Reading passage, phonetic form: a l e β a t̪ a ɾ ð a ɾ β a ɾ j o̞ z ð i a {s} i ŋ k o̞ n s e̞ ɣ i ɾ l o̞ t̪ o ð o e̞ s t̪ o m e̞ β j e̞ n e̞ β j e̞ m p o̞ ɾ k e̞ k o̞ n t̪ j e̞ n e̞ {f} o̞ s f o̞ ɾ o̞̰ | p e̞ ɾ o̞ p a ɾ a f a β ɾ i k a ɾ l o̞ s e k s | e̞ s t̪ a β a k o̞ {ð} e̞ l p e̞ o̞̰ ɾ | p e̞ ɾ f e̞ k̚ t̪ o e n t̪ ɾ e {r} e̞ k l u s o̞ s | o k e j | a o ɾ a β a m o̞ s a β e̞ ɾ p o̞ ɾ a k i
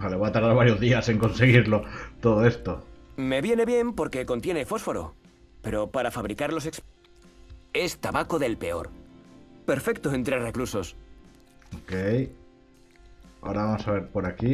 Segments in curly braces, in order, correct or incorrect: correct, correct, correct, correct

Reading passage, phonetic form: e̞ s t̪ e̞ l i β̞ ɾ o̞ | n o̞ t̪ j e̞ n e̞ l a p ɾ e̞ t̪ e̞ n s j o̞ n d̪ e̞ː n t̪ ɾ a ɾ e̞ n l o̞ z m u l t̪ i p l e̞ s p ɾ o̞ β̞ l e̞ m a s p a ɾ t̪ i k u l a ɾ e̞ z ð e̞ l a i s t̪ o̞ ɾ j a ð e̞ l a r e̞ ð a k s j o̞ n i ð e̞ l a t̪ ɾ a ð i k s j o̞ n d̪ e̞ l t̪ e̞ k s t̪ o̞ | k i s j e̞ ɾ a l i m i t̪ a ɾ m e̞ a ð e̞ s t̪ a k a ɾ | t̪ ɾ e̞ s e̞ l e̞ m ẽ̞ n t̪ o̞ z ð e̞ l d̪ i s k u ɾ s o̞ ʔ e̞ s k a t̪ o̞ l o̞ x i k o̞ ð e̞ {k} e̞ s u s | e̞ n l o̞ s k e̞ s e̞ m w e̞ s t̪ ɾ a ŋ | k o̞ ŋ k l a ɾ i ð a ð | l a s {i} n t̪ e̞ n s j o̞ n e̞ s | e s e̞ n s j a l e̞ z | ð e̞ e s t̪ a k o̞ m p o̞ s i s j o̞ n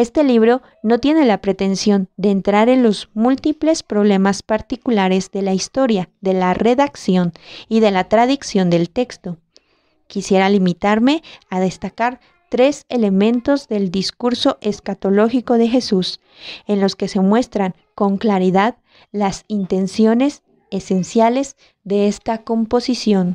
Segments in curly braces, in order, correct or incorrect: incorrect: x, correct

